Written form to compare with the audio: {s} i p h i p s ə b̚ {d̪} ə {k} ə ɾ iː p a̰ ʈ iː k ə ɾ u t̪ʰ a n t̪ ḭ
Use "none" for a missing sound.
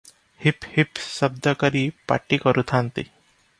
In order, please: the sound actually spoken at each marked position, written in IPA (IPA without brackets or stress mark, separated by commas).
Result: h, d̪, k